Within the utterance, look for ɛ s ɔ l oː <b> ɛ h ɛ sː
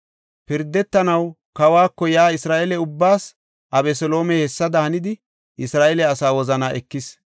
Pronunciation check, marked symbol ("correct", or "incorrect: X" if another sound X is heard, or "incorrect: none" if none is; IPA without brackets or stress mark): incorrect: m